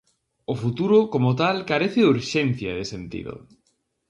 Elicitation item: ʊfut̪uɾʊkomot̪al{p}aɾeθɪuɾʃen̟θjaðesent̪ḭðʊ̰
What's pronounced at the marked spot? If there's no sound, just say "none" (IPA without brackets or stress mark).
k